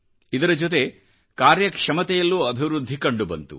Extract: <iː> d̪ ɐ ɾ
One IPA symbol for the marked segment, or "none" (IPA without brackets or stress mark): i